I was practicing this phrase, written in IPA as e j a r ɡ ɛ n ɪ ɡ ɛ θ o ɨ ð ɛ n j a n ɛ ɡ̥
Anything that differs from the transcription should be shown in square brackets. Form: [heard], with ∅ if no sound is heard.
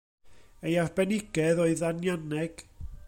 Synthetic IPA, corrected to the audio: e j a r [b] ɛ n ɪ ɡ ɛ [ð] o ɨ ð [a] n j a n ɛ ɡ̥